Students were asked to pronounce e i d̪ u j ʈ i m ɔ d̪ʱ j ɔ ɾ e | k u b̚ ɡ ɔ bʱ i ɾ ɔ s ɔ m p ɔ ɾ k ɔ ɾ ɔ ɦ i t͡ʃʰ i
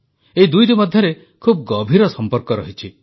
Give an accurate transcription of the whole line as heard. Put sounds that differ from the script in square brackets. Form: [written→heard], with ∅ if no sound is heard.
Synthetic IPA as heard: e i d̪ u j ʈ i m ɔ d̪ʱ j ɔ ɾ e | [k→kʰ] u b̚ ɡ ɔ bʱ i ɾ ɔ s ɔ m p ɔ ɾ k ɔ ɾ ɔ ɦ i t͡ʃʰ i